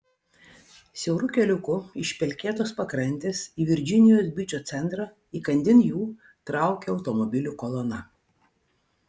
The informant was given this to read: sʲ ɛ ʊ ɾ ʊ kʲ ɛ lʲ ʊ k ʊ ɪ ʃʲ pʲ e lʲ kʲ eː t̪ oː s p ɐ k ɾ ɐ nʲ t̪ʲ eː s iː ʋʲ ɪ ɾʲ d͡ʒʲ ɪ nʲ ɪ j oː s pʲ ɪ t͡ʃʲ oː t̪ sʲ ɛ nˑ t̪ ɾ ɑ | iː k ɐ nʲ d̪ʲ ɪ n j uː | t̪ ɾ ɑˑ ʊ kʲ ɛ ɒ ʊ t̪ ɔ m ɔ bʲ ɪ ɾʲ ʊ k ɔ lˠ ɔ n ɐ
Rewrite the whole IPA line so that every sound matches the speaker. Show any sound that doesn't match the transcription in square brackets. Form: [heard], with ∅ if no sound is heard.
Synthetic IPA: sʲ ɛ ʊ ɾ ʊ kʲ ɛ lʲ ʊ k ʊ ɪ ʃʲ pʲ [ɛ] lʲ kʲ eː t̪ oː s p ɐ k ɾ ɐ nʲ t̪ʲ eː s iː ʋʲ ɪ ɾʲ d͡ʒʲ ɪ nʲ ɪ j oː s [bʲ] ɪ t͡ʃʲ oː t̪ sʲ ɛ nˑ t̪ ɾ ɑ | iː k ɐ nʲ d̪ʲ ɪ n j uː | t̪ ɾ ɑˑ ʊ kʲ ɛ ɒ ʊ t̪ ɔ m ɔ bʲ ɪ [lʲ] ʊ k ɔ lˠ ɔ n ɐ